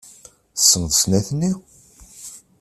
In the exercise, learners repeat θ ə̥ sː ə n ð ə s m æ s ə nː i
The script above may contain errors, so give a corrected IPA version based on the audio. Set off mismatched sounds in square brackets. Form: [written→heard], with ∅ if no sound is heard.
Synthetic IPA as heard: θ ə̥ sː ə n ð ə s [m→n] æ [s→θ] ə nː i

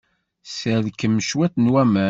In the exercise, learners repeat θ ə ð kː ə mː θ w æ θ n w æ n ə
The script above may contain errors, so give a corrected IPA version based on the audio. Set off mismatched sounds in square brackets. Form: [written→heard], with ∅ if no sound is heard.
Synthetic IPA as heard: [θ→s] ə ð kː ə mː [θ→ʃ] w æ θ n w æ [n→m] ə

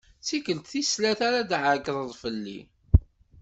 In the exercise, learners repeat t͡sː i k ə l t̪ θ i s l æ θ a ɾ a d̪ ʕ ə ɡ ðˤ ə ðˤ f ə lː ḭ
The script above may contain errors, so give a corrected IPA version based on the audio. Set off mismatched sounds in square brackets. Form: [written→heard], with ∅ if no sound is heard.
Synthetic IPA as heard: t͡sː i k ə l t̪ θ i s l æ θ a ɾ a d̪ ʕ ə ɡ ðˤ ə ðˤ f ə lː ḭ

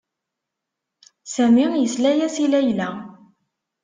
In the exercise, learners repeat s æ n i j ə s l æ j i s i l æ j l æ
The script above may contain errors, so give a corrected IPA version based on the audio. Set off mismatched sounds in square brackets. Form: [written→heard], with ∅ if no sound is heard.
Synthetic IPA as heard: s æ [n→m] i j ə s l æ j [i→æ] s i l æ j l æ

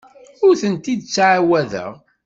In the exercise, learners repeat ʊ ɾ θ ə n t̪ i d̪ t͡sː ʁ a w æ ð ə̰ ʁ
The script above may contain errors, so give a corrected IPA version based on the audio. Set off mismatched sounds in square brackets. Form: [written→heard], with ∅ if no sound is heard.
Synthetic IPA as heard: ʊ ɾ θ ə n t̪ i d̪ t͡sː [ʁ→ʕ] a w æ ð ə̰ ʁ

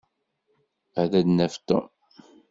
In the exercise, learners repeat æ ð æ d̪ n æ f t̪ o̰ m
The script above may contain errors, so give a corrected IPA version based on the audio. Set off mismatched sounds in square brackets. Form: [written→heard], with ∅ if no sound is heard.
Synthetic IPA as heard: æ ð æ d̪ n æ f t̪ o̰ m

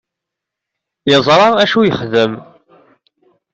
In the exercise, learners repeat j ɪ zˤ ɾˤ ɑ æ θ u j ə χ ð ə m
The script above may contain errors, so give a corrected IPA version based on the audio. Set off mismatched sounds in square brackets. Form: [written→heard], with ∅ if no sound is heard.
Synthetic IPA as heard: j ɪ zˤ ɾˤ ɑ æ [θ→ʃ] u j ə χ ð ə m

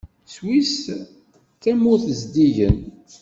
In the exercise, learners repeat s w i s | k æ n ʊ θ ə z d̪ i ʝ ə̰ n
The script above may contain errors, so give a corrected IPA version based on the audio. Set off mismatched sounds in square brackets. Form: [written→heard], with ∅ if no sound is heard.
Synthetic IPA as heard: s w i s | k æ [n→m] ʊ θ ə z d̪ i ʝ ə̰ n

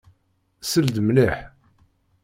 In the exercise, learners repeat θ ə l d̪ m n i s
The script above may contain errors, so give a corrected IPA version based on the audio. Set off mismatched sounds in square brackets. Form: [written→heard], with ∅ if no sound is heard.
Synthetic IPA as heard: [θ→s] ə l d̪ m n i [s→ħ]

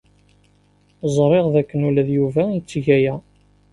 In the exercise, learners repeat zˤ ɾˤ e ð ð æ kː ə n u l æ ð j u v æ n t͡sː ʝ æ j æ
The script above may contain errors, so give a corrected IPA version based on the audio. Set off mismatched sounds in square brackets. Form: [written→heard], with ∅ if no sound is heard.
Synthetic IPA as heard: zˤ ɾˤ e [ð→ʁ] ð æ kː ə n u l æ ð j u v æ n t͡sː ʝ æ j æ

